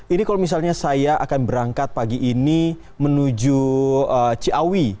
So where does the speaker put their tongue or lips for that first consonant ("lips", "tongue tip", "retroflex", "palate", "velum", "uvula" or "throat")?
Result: tongue tip